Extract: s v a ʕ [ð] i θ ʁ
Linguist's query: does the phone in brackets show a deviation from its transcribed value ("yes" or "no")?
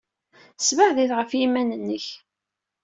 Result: no